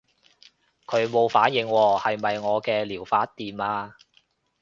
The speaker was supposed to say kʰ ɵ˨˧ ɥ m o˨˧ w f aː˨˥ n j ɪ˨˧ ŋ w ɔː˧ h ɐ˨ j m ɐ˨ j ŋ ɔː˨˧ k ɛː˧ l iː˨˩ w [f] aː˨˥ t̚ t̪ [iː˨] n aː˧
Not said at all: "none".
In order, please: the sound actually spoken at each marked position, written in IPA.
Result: f, iː˨

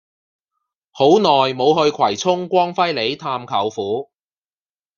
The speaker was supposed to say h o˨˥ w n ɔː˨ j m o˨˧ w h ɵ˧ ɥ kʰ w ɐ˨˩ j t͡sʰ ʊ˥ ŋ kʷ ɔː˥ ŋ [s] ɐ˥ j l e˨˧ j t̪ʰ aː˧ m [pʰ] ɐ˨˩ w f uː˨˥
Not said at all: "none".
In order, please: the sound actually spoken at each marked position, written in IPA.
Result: f, kʰ

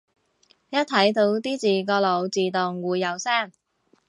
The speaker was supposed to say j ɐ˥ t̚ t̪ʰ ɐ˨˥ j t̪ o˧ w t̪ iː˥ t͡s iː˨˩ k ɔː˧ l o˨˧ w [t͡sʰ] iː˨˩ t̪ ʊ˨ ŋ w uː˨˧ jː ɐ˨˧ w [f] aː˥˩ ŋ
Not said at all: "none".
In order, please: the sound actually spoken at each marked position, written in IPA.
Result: t͡s, s

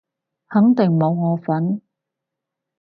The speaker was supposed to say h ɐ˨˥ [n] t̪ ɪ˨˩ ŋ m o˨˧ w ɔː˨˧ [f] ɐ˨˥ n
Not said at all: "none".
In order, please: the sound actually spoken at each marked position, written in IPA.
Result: ŋ, f

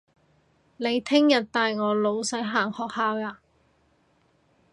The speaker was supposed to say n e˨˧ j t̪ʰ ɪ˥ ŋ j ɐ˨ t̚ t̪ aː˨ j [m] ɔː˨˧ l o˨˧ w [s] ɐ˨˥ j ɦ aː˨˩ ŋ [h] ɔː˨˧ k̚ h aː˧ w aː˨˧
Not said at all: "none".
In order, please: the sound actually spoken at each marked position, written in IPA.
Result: ŋ, s, h

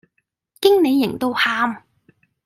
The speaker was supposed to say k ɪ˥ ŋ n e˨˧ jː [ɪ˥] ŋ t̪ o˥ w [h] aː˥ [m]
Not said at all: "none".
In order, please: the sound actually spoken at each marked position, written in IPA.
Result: ɪ˨˩, h, m

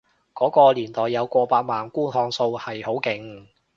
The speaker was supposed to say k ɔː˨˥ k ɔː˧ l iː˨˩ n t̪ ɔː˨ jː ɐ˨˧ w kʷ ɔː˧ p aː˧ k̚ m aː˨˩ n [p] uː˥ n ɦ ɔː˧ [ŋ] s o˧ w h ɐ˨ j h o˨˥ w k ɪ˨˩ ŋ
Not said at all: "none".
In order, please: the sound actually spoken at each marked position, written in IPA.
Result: k, ŋ

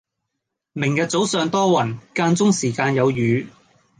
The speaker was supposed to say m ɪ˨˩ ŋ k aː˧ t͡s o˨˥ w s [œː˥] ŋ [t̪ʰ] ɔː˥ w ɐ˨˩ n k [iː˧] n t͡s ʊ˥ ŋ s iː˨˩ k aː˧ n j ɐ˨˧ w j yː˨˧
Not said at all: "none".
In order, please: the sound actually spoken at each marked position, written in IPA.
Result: œː˨˧, t̪, aː˧

